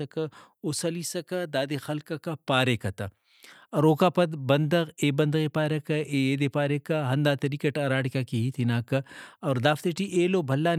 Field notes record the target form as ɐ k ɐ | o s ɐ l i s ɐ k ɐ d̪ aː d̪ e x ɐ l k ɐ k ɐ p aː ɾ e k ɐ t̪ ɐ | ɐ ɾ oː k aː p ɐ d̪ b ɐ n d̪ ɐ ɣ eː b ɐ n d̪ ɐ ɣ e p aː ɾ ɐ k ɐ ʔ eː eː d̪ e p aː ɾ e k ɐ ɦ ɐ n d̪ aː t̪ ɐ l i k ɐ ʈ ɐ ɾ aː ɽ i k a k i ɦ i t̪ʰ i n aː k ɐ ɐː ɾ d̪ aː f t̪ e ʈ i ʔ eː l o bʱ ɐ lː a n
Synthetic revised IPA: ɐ k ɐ | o s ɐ l i s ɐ k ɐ d̪ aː d̪ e x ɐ l k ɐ k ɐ p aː ɾ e k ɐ t̪ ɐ | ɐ ɾ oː k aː p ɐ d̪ b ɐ n d̪ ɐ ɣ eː b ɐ n d̪ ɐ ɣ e p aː ɾ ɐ k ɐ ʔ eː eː d̪ e p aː ɾ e k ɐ ɦ ɐ n d̪ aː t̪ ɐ ɾ i k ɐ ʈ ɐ ɾ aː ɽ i k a k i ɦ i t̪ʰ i n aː k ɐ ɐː ɾ d̪ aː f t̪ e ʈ i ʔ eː l o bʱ ɐ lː a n

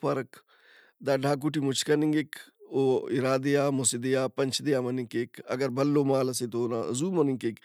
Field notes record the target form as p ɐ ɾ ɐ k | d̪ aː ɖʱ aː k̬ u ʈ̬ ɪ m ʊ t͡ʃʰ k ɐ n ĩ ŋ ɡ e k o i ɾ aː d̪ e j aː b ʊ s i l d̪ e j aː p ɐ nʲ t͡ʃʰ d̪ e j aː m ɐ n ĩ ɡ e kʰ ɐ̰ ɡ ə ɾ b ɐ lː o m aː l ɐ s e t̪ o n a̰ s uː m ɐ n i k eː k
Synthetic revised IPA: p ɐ ɾ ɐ k | d̪ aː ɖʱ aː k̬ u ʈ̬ i m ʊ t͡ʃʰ k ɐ n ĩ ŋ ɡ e k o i ɾ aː d̪ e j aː m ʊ s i d̪ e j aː p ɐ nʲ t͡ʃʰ d̪ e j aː m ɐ n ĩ k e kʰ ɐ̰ ɡ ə ɾ b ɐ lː o m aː l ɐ s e t̪ o n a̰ z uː m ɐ n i k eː k

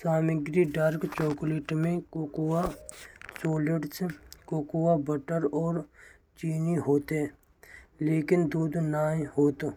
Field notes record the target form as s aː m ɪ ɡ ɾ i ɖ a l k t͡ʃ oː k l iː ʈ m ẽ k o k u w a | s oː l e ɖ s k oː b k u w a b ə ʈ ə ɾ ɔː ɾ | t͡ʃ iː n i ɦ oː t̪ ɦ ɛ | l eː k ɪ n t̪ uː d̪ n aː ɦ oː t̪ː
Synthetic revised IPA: s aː m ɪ ɡ ɾ i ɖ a ɾ k t͡ʃ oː k l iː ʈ m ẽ k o k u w a | s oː l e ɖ s k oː k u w a b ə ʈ ə ɾ ɔː ɾ | t͡ʃ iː n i ɦ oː t̪ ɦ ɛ | l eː k ɪ n d̪ uː d̪ n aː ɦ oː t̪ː

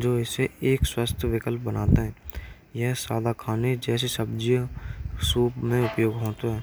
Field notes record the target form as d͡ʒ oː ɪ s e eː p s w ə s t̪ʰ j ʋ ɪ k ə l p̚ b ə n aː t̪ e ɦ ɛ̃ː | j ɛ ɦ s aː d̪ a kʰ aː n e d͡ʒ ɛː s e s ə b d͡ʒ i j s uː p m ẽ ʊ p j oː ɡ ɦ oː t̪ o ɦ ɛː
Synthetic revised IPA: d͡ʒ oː ɪ s e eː k s w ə s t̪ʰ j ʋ ɪ k ə l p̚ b ə n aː t̪ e ɦ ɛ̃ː | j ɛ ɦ s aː d̪ a kʰ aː n e d͡ʒ ɛː s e s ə b d͡ʒ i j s uː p m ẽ ʊ p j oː ɡ ɦ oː t̪ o ɦ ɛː

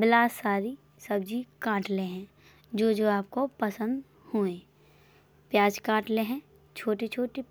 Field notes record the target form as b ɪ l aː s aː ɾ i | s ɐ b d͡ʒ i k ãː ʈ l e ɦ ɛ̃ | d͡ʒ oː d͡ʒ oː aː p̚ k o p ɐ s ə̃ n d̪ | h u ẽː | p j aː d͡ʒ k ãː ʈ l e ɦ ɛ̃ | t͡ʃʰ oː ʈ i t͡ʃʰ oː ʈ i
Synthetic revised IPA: b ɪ l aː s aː ɾ i | s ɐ b d͡ʒ i k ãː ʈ l e ɦ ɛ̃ | d͡ʒ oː d͡ʒ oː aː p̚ k o p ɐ s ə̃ n d̪ | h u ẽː | p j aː d͡ʒ k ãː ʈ l e ɦ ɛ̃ | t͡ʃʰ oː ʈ i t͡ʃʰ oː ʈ i

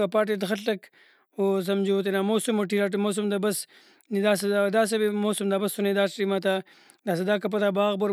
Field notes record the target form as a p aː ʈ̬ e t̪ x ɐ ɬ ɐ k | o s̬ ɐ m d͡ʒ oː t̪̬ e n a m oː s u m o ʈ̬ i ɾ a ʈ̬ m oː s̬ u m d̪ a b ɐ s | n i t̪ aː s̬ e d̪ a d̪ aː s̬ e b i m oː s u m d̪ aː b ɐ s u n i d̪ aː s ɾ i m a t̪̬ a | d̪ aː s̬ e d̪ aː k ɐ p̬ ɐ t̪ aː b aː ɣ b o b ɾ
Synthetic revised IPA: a p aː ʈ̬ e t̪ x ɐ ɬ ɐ k | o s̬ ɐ m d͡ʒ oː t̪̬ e n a m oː s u m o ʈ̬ i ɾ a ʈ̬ m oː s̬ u m d̪ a b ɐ s | n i d̪ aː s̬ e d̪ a d̪ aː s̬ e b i m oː s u m d̪ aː b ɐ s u n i d̪ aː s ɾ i m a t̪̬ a | d̪ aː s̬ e d̪ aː k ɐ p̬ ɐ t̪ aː b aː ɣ b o ɾ

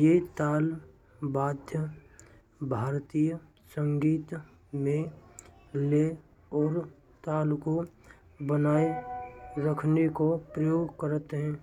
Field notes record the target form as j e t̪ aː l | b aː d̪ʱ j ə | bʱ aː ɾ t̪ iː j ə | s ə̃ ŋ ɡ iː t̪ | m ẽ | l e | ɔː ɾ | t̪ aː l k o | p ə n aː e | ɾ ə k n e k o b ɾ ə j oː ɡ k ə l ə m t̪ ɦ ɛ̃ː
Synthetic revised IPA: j e t̪ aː l | b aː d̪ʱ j ə | bʱ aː ɾ t̪ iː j ə | s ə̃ ŋ ɡ iː t̪ | m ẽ | l e | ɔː ɾ | t̪ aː l k o | b ə n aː e | ɾ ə kʰ n e k o p ɾ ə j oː ɡ k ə ɾ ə t̪ ɦ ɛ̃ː

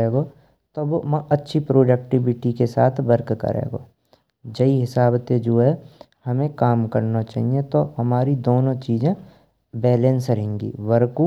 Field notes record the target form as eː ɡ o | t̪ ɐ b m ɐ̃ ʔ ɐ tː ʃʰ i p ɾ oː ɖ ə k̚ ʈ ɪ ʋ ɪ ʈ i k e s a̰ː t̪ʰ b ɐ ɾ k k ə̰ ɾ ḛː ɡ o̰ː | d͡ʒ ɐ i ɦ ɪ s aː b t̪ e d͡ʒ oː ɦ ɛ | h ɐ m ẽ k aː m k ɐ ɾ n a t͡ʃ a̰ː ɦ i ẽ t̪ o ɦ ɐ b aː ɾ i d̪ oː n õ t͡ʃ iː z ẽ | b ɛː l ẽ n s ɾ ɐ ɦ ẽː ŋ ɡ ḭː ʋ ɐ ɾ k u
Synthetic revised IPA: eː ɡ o | t̪ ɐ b m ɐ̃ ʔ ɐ tː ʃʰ i p ɾ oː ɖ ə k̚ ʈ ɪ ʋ ɪ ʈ i k e s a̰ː t̪ʰ b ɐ ɾ k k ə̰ ɾ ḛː ɡ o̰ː | d͡ʒ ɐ i ɦ ɪ s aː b t̪ e d͡ʒ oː ɦ ɛ | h ɐ m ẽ k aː m k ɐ ɾ n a t͡ʃ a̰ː ɦ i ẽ t̪ o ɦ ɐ m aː ɾ i d̪ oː n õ t͡ʃ iː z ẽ | b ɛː l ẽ n s ɾ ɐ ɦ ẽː ŋ ɡ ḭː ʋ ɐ ɾ k u

